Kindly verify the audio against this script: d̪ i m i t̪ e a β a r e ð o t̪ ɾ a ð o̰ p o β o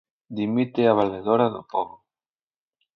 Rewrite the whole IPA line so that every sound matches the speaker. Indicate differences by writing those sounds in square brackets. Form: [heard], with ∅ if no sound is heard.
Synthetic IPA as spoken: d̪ i m i t̪ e a β a [l] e ð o [∅] ɾ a ð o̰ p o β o